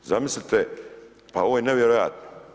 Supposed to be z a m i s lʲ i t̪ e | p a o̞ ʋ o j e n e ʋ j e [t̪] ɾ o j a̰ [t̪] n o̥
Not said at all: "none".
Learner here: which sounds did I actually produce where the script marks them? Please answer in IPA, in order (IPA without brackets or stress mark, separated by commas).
none, t̪